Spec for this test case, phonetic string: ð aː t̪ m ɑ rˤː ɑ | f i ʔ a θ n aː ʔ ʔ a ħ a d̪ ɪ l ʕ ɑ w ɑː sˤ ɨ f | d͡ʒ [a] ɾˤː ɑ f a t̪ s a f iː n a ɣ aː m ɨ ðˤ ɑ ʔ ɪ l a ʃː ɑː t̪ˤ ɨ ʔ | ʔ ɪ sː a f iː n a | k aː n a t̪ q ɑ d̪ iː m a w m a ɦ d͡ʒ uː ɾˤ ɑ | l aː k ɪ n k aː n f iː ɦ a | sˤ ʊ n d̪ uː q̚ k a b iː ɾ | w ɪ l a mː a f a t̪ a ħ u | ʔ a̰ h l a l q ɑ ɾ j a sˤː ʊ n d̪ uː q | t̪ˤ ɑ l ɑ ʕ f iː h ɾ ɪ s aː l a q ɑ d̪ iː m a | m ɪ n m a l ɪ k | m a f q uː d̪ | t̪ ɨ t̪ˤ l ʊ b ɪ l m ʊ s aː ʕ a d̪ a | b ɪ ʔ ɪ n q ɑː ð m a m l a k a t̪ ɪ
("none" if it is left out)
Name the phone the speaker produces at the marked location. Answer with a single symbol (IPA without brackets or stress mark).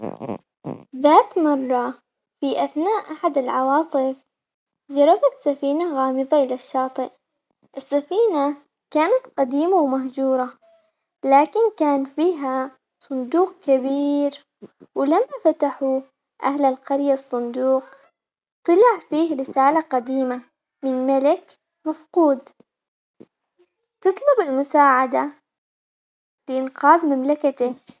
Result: ɑ